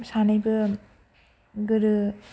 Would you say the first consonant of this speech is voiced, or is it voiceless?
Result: voiceless